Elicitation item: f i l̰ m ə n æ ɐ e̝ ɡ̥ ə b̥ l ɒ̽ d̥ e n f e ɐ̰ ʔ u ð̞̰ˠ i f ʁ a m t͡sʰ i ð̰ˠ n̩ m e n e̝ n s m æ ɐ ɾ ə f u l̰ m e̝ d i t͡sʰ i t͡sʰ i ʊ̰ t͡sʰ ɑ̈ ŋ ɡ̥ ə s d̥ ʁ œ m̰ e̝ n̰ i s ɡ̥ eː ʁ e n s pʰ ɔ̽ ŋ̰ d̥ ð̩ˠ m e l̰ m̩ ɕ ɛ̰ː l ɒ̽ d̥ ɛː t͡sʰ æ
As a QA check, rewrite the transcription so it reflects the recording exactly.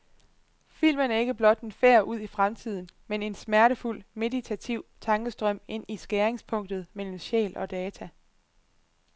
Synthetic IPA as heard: f i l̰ m ə n æ ɐ e̝ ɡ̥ ə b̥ l ɒ̽ d̥ e n f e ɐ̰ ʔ u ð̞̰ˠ i f ʁ a m t͡sʰ i ð̰ˠ n̩ m e n e̝ n s m æ ɐ ɾ ə f u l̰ m e̝ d i t͡sʰ æ t͡sʰ i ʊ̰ t͡sʰ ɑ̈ ŋ ɡ̥ ə s d̥ ʁ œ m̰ e̝ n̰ i s ɡ̥ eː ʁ e ŋ s pʰ ɔ̽ ŋ̰ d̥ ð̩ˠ m e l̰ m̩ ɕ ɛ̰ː l ɒ̽ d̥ ɛː t͡sʰ æ

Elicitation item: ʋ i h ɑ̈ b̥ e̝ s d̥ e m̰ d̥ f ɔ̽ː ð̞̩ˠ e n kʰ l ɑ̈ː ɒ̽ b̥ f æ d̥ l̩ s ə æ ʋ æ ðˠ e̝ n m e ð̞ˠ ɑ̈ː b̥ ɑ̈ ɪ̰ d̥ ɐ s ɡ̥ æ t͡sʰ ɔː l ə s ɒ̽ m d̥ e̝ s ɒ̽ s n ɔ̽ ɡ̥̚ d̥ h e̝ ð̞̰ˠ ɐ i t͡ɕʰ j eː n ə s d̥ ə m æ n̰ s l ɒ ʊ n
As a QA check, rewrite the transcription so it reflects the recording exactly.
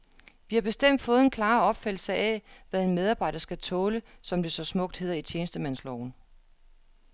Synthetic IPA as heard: ʋ i h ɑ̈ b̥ e̝ s d̥ e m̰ d̥ f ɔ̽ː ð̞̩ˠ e n kʰ l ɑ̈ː ɒ̽ b̥ f æ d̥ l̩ s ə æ ʋ æ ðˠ e̝ n m e ð̞ˠ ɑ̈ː b̥ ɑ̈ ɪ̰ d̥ ɐ s ɡ̥ æ t͡sʰ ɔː l ə s ɒ̽ m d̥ e̝ s ɒ̽ s m ɔ̽ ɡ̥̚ d̥ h e̝ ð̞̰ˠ ɐ i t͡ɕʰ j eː n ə s d̥ ə m æ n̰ s l ɒ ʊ n

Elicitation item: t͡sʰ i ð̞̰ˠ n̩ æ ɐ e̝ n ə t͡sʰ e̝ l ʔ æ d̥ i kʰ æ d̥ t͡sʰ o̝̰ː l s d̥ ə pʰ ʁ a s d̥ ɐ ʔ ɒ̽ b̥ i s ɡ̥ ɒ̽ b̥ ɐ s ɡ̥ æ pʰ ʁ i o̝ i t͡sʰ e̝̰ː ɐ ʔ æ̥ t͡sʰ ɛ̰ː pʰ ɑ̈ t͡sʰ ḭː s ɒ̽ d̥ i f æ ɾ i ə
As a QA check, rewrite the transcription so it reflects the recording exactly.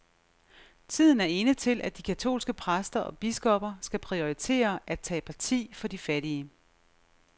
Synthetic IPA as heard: t͡sʰ i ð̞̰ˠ n̩ æ ɐ e̝ n ə t͡sʰ e̝ l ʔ æ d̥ i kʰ æ t͡sʰ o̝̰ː l s ɡ̥ ə pʰ ʁ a s d̥ ɐ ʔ ɒ̽ b̥ i s ɡ̥ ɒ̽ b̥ ɐ s ɡ̥ æ pʰ ʁ i o̝ i t͡sʰ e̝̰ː ɐ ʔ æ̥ t͡sʰ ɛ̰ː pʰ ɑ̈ t͡sʰ ḭː f ɒ̽ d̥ i f æ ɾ i ə

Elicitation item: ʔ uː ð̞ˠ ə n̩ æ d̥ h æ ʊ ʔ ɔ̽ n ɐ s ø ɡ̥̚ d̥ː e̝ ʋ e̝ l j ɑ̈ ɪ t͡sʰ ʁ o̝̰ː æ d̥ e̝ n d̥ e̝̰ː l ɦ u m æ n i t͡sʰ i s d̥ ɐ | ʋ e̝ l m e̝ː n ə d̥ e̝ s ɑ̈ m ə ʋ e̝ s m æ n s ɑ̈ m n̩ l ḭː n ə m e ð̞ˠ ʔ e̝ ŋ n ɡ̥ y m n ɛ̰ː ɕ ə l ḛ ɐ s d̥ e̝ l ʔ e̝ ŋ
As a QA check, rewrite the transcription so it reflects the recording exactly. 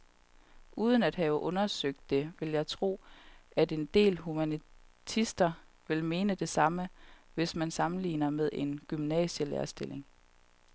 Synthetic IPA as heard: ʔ uː ð̞ˠ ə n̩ æ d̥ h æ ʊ ʔ ɔ̽ n ɐ s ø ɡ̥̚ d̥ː e̝ ʋ e̝ l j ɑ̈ ɪ t͡sʰ ʁ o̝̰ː æ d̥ e̝ n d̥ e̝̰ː l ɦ u m æ n i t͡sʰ i s d̥ ɐ | ʋ e̝ l m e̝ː n ə d̥ e̝ s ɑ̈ m ə ʋ e̝ s m æ n s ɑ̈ m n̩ l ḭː n ɐ m e ð̞ˠ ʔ e̝ n ɡ̥ y m n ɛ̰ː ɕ ə l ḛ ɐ s d̥ e̝ l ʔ e̝ ŋ

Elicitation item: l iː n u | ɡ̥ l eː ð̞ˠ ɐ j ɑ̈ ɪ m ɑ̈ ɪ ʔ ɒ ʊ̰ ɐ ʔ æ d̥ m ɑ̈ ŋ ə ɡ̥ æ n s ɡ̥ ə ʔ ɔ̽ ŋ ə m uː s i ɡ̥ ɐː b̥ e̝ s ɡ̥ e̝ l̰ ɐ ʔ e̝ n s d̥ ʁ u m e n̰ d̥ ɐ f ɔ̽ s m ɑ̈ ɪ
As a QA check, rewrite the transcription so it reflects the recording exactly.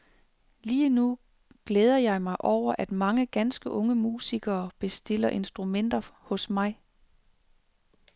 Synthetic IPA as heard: l iː n u | ɡ̥ l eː ð̞ˠ ɐ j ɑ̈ ɪ m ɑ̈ ɪ ʔ ɒ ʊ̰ ɐ ʔ æ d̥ m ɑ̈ ŋ ə ɡ̥ æ n s ɡ̥ ə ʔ ɔ̽ ŋ ə m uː s i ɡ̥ ɐː b̥ e̝ s d̥ e̝ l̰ ɐ ʔ e̝ n s d̥ ʁ u m e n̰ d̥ ɐ h ɔ̽ s m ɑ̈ ɪ

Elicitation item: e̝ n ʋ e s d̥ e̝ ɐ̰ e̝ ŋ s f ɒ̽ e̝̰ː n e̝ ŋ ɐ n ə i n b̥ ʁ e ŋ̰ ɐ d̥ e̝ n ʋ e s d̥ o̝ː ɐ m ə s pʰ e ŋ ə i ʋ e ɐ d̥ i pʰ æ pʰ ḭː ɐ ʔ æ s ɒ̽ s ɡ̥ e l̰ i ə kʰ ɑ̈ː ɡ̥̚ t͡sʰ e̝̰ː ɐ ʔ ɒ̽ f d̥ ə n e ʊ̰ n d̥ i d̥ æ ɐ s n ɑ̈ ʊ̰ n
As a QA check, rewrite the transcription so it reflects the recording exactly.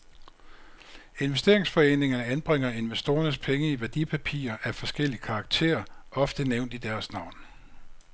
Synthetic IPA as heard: e̝ n ʋ e s d̥ e̝ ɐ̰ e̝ ŋ s f ɒ̽ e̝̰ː n e̝ ŋ ɐ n ə æ n b̥ ʁ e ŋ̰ ɐ e̝ n ʋ e s d̥ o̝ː ɐ n ə s pʰ e ŋ ə i ʋ æ ɐ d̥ i pʰ æ pʰ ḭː ɐ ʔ æ f ɒ̽ s ɡ̥ e l̰ i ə kʰ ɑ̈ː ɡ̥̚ t͡sʰ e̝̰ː ɐ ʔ ɒ̽ f d̥ ə n e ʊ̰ n d̥ i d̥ æ ɐ s n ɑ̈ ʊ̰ n

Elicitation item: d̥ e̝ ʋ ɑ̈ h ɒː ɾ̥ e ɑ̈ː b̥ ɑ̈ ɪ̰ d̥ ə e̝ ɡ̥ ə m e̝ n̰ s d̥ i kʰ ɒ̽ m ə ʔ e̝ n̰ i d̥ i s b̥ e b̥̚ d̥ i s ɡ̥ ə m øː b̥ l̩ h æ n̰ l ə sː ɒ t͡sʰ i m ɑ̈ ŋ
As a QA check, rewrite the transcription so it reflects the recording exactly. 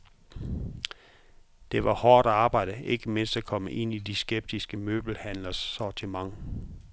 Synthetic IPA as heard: d̥ e̝ ʋ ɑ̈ h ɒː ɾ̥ æ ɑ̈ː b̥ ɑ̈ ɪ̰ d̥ ə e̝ ɡ̥ ə m e̝ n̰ s d̥ æ kʰ ɒ̽ m ə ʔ e̝ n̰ i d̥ i s ɡ̥ e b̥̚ d̥ i s ɡ̥ ə m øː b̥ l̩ h æ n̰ l ɐ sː ɒ t͡sʰ i m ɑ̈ ŋ

